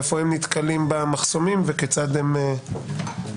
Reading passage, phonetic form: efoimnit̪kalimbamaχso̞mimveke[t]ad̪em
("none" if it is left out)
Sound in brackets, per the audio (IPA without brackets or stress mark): t͡s